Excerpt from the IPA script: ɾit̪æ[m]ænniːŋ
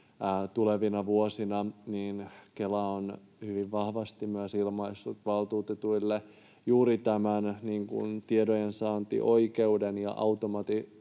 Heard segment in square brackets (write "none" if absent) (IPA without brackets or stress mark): m